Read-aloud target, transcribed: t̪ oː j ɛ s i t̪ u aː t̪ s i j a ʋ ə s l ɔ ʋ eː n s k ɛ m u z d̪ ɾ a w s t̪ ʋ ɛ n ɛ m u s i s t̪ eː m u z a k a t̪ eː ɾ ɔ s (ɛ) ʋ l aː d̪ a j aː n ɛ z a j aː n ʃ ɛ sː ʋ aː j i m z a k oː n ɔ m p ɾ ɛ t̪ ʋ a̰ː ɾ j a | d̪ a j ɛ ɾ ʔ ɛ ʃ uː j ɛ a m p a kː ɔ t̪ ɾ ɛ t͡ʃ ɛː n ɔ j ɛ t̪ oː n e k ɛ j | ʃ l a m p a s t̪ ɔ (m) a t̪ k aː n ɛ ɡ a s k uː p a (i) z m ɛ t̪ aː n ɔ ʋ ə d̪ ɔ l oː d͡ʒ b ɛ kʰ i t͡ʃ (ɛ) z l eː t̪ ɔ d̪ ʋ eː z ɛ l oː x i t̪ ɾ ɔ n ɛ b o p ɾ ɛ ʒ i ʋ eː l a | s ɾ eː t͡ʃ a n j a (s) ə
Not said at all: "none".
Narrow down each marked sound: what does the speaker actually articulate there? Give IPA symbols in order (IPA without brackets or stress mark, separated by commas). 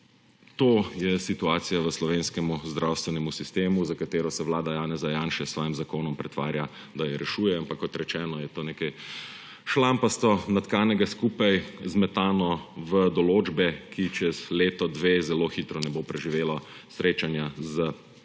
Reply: ɛ, n, j, ɛ, z